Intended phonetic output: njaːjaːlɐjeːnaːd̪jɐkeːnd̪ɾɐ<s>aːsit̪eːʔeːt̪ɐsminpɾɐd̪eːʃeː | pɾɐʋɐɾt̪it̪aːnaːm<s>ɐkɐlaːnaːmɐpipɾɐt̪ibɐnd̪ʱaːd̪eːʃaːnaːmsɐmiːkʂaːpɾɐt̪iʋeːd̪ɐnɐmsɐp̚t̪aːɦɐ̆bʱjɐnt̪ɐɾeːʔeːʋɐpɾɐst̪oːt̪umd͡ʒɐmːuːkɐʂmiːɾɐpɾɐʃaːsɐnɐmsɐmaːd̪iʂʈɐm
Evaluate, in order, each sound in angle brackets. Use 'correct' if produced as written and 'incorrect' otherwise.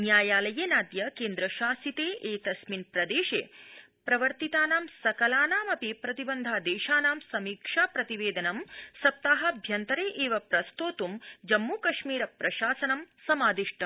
incorrect: ʃ, correct

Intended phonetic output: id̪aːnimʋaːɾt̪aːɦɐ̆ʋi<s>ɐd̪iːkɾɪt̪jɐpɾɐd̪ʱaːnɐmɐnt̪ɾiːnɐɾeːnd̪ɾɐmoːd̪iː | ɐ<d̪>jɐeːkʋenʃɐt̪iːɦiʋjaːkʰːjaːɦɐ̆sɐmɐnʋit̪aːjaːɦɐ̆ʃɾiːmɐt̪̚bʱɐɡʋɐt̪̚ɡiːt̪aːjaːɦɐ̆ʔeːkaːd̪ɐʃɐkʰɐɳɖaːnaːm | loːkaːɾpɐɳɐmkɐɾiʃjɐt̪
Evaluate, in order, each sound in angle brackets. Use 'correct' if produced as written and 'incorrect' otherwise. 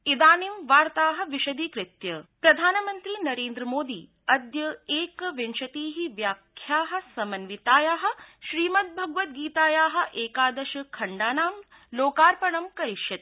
incorrect: ʃ, correct

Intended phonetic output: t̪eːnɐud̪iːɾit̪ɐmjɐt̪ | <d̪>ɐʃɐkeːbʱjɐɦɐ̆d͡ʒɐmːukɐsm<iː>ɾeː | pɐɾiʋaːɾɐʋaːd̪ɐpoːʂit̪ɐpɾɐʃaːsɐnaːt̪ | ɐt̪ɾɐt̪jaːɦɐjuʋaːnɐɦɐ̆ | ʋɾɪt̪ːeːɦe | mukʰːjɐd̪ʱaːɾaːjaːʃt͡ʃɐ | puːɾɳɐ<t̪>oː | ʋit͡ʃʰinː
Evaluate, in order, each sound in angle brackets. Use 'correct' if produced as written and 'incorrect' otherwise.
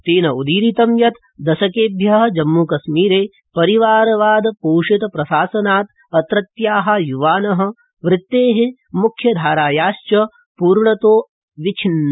correct, correct, correct

